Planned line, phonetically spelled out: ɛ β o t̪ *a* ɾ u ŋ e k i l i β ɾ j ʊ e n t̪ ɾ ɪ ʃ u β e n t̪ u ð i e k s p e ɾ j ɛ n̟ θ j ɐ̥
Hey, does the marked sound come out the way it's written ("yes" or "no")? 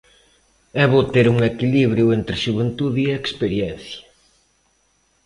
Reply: no